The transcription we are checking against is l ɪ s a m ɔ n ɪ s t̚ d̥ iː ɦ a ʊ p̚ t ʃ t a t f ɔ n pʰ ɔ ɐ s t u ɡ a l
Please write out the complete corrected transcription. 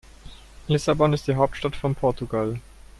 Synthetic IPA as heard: l ɪ s a b ɔ n ɪ s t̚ d̥ iː ɦ a ʊ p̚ t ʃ t a t f ɔ n pʰ ɔ ɐ t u ɡ a l